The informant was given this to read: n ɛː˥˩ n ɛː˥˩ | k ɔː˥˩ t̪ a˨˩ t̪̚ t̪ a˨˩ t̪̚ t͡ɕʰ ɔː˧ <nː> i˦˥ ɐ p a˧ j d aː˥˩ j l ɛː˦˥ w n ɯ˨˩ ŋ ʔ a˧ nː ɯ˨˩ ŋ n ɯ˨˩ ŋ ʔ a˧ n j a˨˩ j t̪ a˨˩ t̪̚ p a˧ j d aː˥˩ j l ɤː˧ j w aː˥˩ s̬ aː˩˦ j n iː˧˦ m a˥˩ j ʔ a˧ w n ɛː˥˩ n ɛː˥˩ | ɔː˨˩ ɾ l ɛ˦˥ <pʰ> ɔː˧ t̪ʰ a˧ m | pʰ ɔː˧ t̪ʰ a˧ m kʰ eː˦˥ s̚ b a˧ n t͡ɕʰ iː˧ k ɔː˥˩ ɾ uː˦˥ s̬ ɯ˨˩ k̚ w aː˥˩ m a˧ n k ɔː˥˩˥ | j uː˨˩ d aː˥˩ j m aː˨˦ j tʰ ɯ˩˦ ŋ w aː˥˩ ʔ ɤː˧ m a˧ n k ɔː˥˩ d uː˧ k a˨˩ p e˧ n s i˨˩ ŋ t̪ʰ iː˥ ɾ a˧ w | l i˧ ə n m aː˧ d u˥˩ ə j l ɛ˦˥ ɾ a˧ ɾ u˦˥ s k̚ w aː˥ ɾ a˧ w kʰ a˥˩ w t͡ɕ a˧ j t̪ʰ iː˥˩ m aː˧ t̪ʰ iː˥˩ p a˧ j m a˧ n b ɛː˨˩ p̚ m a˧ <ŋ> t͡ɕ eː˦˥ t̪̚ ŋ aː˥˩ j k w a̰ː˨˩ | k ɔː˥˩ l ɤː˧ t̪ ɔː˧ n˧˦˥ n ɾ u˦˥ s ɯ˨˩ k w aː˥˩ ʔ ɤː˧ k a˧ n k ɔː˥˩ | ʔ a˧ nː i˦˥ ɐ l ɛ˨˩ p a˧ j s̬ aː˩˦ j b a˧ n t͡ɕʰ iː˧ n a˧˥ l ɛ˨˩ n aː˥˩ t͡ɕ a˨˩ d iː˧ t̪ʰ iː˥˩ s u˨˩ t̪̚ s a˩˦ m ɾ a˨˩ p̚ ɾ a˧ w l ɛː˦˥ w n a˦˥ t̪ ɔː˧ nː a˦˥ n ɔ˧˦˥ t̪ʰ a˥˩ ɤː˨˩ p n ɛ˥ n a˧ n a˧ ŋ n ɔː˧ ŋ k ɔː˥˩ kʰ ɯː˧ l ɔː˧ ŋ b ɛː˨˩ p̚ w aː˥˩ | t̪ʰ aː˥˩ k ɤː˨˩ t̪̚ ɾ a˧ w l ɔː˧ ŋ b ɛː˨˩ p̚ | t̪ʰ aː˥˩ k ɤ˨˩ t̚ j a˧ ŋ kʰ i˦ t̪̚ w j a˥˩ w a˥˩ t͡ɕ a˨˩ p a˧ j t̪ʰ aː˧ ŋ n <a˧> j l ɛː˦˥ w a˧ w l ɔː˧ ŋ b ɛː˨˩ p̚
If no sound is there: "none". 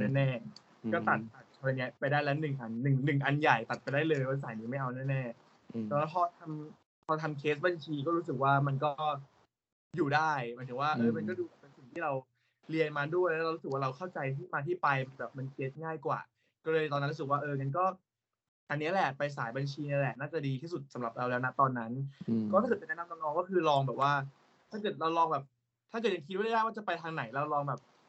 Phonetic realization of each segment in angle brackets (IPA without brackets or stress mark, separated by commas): n, pʰ, n, a˩˦